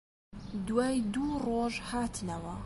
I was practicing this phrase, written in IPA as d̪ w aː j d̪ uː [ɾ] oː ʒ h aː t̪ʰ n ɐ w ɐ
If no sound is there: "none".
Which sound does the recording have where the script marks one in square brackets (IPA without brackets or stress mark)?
r